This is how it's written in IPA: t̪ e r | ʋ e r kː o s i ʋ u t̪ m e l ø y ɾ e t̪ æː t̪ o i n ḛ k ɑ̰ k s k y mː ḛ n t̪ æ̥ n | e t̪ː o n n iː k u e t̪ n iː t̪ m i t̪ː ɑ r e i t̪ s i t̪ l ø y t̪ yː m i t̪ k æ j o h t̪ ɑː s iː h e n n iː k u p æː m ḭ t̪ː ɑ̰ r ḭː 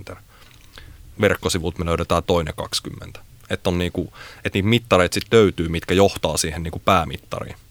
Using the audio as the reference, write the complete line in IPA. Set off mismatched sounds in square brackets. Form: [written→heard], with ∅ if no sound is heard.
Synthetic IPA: t̪ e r | ʋ e r kː o s i ʋ u t̪ m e l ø y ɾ e t̪ æː t̪ o i n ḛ k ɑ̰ k s k y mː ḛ n t̪ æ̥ [n→∅] | e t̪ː o n n iː k u e t̪ n iː t̪ m i t̪ː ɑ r e i t̪ s i t̪ l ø y t̪ yː m i t̪ k æ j o h t̪ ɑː s iː h e n n iː k u p æː m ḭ t̪ː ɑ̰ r ḭː